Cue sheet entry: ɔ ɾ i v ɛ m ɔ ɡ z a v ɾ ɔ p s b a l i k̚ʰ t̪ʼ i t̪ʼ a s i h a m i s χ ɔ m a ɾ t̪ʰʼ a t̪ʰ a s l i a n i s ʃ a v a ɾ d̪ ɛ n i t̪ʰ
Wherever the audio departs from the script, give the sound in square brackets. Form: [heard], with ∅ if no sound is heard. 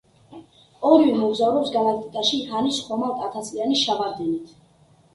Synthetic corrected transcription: ɔ ɾ i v ɛ m ɔ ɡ z a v ɾ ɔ p s [ɡ] a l [a] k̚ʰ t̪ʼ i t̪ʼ a [ʃ] i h a [n] i s χ ɔ m a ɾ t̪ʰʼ a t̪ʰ a s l i a n i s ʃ a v a ɾ d̪ ɛ n i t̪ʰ